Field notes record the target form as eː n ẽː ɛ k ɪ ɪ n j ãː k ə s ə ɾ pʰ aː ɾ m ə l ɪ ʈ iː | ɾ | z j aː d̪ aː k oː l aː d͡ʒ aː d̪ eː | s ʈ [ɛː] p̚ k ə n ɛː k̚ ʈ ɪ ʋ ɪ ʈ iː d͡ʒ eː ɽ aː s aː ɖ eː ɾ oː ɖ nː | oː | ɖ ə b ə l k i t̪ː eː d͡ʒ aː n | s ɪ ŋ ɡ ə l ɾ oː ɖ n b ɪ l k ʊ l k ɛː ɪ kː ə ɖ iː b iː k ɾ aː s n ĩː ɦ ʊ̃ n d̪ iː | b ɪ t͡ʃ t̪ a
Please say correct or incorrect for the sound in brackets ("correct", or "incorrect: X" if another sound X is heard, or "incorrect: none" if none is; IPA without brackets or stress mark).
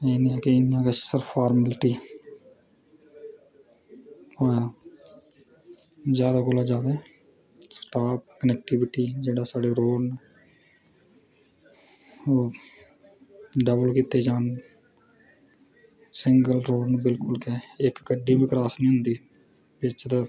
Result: incorrect: aː